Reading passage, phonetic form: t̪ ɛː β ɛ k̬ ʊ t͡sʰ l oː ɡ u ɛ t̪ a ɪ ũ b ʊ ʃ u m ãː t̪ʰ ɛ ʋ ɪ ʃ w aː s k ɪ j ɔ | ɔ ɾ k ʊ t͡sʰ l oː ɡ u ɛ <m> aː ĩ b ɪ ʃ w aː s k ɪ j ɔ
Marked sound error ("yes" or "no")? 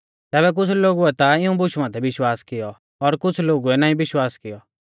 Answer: yes